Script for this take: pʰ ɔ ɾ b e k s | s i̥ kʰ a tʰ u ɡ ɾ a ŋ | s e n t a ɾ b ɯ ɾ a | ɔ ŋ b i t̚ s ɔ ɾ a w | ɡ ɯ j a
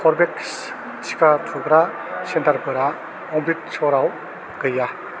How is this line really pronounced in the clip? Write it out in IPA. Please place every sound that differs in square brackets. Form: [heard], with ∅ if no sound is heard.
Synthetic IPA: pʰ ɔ ɾ b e k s | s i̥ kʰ a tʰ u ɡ ɾ a [∅] | s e n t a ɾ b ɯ ɾ a | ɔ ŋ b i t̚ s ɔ ɾ a w | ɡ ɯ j a